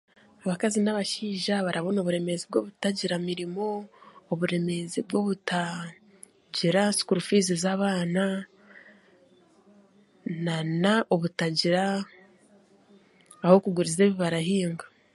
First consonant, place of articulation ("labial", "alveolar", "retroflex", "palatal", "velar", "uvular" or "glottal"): labial